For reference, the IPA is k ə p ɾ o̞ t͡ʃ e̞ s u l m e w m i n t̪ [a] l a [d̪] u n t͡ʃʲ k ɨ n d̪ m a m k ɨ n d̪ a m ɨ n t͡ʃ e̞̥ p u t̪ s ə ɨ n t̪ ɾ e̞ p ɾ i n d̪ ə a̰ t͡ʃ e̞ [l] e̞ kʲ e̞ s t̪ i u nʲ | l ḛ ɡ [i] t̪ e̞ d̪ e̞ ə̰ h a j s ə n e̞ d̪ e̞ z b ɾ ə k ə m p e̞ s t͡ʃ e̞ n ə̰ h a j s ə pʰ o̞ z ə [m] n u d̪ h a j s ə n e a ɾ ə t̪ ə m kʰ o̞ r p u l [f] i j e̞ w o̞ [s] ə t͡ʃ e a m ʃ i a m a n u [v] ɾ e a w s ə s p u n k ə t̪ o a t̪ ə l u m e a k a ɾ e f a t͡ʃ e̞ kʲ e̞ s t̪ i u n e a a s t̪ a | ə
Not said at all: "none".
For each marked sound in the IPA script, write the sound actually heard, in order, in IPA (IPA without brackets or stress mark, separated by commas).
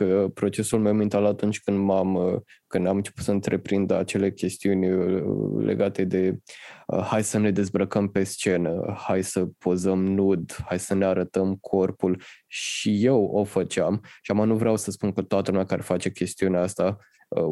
a, t̪, l, a, m, ʃ, f, v